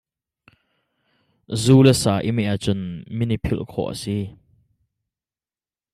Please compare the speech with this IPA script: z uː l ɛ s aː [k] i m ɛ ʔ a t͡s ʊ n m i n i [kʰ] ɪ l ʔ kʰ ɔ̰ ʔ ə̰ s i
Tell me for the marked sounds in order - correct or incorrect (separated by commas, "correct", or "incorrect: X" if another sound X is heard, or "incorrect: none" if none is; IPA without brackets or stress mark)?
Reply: incorrect: ʔ, incorrect: pʰ